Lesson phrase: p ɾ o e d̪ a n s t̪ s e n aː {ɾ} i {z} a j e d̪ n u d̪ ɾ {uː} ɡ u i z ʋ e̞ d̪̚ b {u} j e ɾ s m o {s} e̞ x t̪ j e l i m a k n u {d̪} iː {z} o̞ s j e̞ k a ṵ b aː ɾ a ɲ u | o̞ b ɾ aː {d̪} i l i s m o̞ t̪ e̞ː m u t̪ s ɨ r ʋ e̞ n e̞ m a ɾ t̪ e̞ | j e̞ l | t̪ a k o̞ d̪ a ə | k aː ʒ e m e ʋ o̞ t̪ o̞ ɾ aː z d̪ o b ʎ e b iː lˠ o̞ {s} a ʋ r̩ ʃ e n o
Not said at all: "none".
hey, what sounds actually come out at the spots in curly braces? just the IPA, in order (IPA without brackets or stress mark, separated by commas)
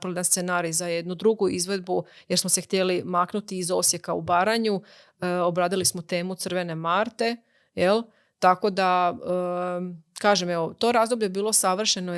ɾ, z, u, u, s, t̪, z, d̪, s